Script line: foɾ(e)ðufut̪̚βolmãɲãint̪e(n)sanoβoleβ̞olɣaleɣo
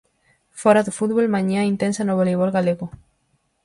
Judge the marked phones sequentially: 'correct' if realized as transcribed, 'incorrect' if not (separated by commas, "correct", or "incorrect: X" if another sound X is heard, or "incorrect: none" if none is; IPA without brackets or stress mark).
incorrect: a, correct